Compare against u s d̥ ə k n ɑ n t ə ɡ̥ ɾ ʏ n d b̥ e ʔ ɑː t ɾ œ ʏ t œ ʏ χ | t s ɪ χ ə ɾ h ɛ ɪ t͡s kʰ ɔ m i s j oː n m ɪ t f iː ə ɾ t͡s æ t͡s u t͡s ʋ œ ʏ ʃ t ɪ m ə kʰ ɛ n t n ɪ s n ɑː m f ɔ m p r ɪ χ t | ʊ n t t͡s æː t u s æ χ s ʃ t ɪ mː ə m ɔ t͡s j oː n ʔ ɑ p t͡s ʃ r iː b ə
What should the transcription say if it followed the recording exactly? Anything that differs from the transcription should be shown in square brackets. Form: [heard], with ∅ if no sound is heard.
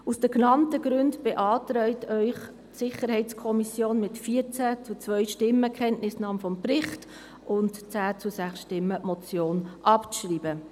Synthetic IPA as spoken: u s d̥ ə k n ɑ n t ə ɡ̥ ɾ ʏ n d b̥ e ʔ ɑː t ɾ œ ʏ t œ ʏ χ | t s ɪ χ ə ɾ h ɛ ɪ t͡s kʰ ɔ m i s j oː n m ɪ t f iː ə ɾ t͡s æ t͡s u t͡s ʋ œ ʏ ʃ t ɪ m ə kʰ ɛ n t n ɪ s n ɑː m f ɔ m p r ɪ χ t | ʊ n t t͡s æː [t͡s] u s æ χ s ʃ t ɪ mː ə m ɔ t͡s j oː n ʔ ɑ p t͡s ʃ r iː b ə